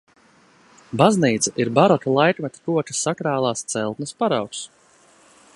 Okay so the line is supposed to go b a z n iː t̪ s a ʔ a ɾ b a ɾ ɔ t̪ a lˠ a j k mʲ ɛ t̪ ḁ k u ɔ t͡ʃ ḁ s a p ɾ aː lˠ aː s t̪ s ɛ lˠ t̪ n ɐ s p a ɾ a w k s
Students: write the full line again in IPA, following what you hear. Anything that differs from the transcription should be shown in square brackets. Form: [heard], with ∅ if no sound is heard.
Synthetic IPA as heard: b a z n iː t̪ s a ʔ [i] ɾ b a ɾ ɔ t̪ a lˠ a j k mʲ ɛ t̪ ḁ k u ɔ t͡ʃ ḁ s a [k] ɾ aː lˠ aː s t̪ s ɛ lˠ t̪ n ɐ s p a ɾ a w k s